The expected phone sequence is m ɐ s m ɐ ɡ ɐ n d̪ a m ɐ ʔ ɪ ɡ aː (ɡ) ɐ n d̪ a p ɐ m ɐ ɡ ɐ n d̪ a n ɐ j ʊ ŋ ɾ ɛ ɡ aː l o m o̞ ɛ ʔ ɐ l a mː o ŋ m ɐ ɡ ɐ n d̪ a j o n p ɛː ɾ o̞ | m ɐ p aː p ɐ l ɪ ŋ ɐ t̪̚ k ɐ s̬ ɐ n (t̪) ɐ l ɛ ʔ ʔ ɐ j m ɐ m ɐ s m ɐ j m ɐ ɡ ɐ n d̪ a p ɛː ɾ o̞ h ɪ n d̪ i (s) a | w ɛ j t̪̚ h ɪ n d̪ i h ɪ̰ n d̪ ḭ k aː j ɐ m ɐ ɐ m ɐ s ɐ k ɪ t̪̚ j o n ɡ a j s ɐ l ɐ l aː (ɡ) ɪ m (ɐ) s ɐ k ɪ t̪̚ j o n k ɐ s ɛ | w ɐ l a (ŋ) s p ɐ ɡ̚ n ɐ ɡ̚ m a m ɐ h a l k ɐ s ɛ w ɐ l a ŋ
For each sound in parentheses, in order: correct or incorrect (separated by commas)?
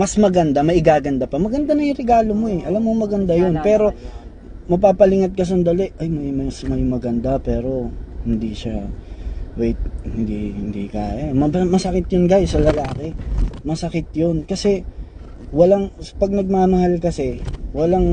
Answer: correct, incorrect, incorrect, incorrect, correct, correct